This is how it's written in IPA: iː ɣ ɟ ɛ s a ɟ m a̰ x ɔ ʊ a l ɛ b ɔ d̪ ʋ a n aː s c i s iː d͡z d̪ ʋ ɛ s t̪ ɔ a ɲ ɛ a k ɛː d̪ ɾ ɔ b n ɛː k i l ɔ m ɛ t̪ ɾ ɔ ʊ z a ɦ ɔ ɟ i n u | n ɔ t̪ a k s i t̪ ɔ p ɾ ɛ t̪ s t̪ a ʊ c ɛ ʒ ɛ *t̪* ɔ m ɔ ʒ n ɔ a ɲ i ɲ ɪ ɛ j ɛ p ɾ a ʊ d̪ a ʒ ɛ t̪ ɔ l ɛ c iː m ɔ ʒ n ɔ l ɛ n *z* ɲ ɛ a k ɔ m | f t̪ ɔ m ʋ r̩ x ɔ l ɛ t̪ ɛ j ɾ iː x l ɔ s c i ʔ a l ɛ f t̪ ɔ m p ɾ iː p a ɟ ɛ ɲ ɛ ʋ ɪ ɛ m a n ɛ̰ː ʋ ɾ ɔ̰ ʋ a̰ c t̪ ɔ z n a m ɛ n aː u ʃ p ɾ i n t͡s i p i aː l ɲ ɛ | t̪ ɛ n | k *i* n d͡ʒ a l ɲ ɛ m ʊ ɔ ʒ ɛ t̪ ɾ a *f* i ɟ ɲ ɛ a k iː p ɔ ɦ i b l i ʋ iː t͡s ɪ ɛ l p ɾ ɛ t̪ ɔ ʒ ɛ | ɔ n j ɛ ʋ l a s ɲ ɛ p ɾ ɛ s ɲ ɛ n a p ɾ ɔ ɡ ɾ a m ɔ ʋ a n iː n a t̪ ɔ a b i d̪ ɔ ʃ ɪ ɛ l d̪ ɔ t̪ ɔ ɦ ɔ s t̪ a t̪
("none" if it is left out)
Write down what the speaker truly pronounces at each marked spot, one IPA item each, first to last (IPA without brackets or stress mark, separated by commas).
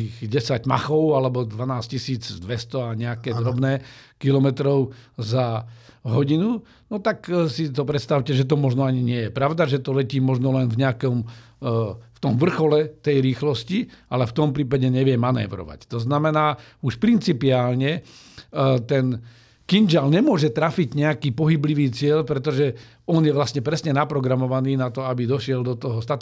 t̪, v, i, f